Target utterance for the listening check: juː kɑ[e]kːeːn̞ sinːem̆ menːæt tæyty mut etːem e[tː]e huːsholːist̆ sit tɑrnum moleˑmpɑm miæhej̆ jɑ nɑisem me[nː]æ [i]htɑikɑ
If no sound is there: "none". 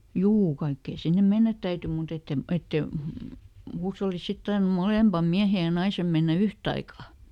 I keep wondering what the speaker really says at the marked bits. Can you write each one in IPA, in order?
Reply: i, tː, nː, y

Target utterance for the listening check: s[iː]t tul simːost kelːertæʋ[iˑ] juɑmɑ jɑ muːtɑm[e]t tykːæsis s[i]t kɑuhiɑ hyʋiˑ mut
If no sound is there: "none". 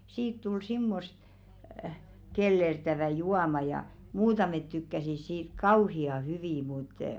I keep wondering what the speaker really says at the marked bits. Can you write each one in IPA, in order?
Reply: iː, æˑ, e, iː

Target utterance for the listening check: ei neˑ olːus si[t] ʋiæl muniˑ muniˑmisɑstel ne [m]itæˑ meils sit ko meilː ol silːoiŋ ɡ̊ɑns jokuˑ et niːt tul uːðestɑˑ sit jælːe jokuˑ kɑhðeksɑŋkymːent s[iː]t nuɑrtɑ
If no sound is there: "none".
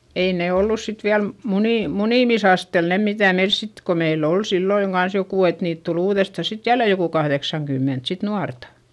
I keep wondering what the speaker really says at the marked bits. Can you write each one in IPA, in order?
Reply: t, m, i

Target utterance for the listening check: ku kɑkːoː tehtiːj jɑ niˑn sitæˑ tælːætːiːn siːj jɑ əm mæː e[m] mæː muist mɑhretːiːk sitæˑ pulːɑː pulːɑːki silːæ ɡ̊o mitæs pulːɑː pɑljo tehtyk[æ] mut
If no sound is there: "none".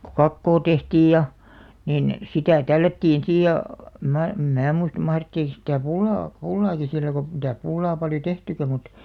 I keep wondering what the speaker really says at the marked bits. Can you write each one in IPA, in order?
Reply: m, æ

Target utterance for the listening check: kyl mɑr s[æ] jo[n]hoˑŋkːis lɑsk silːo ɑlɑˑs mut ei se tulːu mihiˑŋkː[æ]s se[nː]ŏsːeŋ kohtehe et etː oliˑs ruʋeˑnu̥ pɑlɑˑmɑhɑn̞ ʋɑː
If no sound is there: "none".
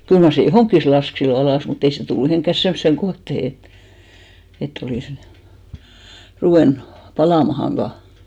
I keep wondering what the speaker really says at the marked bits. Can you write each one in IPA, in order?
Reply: e, none, æ, mː

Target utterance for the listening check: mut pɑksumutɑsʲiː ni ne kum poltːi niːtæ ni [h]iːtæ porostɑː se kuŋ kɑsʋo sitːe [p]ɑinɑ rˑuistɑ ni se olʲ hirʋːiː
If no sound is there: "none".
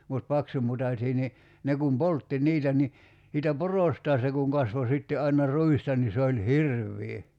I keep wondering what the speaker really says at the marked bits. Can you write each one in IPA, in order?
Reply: s, ʔ

